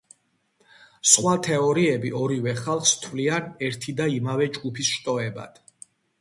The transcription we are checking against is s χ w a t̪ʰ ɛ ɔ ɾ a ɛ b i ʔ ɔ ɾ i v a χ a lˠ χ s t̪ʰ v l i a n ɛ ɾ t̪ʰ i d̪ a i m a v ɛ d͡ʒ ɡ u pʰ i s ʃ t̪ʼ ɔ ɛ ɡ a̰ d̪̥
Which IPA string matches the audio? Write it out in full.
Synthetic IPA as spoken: s χ w a t̪ʰ ɛ ɔ ɾ i ɛ b i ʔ ɔ ɾ i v ɛ χ a lˠ χ s t̪ʰ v l i a n ɛ ɾ t̪ʰ i d̪ a i m a v ɛ d͡ʒ ɡ u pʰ i s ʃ t̪ʼ ɔ ɛ b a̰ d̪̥